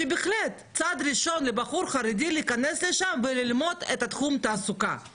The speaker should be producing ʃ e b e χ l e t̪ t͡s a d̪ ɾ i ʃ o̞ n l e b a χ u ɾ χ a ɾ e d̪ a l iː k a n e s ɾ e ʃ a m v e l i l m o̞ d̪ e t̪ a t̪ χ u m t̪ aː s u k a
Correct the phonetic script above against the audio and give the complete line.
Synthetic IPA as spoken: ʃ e b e χ l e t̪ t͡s a d̪ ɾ i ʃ o̞ n l e b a χ u ɾ χ a ɾ e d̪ i l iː k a n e s l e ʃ a m v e l i l m o̞ d̪ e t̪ a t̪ χ u m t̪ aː s u k a